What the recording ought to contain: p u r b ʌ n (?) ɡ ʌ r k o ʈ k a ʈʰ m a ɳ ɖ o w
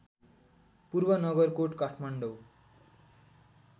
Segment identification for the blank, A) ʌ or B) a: A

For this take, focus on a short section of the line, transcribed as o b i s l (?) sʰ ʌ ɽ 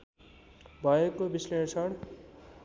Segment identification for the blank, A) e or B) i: A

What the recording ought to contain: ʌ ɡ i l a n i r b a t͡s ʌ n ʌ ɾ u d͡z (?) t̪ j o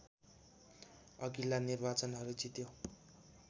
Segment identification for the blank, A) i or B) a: A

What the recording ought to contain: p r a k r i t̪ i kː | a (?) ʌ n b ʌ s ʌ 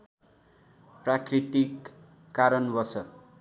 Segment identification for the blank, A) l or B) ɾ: B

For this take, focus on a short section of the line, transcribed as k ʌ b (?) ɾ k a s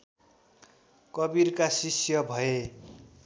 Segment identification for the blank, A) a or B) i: B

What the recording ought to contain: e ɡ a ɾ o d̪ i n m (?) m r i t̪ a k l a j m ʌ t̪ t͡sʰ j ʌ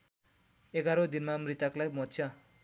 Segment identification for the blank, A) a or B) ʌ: A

